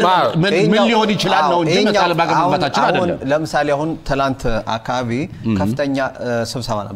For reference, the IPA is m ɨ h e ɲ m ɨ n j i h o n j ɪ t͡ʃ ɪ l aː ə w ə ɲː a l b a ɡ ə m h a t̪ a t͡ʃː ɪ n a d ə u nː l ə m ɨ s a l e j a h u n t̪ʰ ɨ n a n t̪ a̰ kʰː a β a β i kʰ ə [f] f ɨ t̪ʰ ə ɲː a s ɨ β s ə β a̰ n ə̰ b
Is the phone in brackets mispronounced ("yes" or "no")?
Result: no